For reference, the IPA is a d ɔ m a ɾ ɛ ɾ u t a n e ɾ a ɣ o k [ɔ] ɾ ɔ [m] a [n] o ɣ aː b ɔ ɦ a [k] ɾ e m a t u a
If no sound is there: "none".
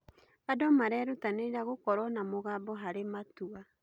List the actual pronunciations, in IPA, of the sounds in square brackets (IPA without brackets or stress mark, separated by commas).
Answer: ɔ, n, m, none